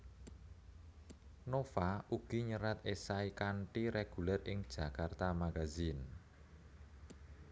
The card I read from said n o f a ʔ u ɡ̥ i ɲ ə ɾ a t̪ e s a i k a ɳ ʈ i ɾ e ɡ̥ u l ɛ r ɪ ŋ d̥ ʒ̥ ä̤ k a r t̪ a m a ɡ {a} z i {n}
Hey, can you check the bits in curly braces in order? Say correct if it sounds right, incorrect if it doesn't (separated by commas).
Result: correct, correct